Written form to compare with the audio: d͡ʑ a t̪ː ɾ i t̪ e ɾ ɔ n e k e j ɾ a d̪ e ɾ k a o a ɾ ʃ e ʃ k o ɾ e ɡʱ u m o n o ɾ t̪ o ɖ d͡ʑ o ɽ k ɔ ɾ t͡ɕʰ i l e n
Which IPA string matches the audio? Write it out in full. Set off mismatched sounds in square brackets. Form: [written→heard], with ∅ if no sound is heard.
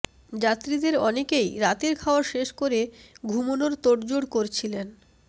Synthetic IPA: d͡ʑ a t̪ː ɾ i [t̪→d̪] e ɾ ɔ n e k e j ɾ a [d̪→t̪] e ɾ [k→kʰ] a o a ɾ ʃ e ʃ k o ɾ e ɡʱ u m o n o ɾ t̪ o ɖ d͡ʑ o ɽ k [ɔ→o] ɾ t͡ɕʰ i l e n